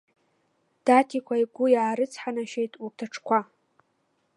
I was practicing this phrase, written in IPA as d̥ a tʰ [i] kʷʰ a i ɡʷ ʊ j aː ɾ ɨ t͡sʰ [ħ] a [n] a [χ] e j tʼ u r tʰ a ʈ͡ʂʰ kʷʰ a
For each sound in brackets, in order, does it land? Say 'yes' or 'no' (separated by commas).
yes, yes, yes, no